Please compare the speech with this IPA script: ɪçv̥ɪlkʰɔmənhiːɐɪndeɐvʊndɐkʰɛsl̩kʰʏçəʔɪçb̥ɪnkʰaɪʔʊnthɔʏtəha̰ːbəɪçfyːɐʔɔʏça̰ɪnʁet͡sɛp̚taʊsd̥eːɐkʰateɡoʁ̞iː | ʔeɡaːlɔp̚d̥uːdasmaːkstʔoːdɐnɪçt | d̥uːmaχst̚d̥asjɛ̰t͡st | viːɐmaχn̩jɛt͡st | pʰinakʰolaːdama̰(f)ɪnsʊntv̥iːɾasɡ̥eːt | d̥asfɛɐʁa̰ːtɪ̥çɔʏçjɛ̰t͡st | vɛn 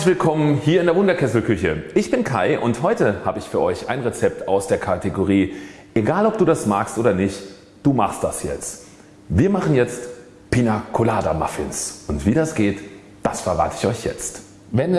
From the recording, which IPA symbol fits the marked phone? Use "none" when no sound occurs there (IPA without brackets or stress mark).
f